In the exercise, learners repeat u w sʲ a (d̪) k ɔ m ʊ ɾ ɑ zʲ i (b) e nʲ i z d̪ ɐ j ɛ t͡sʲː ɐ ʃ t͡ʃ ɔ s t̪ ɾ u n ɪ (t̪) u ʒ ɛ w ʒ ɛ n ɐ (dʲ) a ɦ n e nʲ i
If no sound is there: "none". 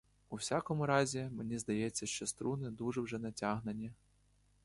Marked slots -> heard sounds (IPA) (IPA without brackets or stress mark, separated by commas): none, m, d̪, tʲ